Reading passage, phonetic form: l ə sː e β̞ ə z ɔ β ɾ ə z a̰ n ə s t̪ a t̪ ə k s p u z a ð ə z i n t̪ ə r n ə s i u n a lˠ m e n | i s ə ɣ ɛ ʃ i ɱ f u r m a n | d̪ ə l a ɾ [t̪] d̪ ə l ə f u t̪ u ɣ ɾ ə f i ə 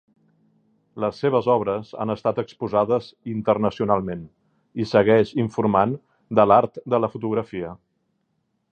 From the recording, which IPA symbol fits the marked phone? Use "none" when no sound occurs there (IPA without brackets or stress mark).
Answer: t̪